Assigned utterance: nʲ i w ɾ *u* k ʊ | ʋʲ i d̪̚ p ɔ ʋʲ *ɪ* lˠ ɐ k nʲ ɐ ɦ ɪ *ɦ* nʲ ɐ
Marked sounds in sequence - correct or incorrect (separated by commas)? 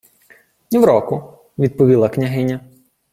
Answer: incorrect, incorrect, incorrect